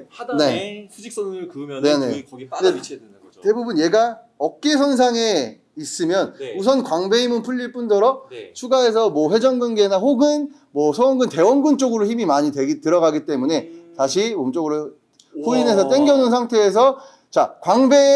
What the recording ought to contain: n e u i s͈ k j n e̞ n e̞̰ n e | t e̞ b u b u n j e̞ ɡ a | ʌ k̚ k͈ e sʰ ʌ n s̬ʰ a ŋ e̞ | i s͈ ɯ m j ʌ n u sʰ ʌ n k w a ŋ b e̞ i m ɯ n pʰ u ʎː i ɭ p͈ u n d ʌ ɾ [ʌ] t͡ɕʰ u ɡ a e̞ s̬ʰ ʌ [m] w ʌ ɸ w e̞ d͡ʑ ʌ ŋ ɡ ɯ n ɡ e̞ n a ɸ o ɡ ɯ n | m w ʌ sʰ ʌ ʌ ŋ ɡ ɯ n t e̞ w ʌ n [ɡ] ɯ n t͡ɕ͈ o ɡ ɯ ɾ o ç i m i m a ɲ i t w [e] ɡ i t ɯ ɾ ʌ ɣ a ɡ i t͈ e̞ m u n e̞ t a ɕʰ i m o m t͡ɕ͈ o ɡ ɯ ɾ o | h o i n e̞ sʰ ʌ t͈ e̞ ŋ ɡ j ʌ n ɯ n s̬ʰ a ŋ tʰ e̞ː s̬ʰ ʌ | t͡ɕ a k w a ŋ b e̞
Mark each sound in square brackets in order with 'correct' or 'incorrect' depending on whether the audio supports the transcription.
correct, correct, correct, correct

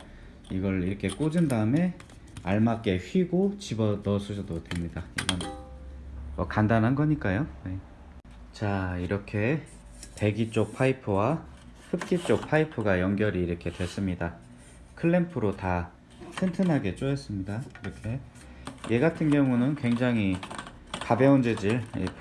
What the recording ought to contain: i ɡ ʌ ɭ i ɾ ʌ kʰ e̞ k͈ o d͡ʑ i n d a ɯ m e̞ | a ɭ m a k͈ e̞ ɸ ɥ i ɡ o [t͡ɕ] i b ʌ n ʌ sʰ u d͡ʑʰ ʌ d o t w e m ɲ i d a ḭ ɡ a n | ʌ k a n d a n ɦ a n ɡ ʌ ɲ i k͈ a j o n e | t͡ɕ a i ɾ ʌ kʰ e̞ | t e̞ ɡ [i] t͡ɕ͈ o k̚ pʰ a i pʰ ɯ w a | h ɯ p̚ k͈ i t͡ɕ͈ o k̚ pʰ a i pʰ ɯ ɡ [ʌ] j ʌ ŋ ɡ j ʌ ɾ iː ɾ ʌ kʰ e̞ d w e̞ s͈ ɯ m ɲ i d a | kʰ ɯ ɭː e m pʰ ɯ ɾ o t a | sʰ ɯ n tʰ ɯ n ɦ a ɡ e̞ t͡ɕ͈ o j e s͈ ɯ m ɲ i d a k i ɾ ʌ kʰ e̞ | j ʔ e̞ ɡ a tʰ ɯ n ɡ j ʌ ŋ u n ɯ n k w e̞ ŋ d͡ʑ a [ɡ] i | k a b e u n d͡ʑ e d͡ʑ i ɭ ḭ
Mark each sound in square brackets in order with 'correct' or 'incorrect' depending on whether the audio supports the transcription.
correct, correct, incorrect, incorrect

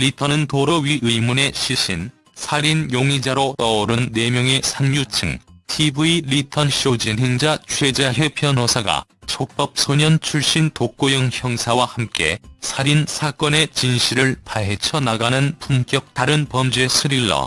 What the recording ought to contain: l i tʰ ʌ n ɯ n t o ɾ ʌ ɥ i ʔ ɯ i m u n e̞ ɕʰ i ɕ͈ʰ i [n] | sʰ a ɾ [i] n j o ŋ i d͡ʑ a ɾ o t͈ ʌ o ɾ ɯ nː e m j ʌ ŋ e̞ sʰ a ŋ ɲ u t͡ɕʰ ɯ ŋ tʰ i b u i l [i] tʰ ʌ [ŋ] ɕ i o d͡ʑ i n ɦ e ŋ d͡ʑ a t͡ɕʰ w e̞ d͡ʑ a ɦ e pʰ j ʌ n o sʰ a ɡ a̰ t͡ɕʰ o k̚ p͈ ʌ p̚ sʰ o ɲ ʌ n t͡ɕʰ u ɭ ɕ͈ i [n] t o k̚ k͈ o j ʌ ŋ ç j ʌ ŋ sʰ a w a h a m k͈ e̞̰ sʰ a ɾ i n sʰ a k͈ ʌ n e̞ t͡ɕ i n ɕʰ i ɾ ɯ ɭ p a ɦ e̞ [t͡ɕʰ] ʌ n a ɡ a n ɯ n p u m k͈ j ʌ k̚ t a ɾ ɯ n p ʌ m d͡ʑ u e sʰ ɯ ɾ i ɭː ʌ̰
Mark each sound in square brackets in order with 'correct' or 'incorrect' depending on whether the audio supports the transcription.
correct, correct, correct, incorrect, correct, correct

